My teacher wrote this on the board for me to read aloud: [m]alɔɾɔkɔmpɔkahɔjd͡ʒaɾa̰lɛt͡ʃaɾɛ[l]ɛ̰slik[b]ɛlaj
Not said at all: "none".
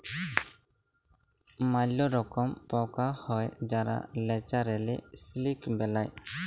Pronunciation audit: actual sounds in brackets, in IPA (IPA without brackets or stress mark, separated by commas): m, l, b